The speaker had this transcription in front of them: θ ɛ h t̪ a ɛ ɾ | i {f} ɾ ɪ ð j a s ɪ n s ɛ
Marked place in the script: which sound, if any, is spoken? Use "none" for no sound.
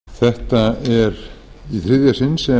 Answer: θ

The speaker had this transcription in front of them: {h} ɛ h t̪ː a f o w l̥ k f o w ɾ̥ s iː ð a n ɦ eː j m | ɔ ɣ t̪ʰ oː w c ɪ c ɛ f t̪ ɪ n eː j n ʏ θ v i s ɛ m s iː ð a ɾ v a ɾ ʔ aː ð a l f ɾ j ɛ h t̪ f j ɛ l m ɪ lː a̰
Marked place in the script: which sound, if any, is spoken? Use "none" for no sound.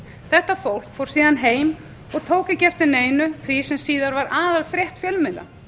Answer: θ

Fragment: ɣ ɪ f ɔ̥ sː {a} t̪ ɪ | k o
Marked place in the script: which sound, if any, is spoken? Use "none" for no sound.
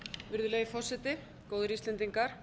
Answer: ɛ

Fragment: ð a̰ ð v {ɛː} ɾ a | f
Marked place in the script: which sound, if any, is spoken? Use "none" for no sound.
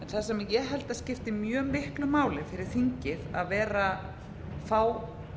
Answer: ɛː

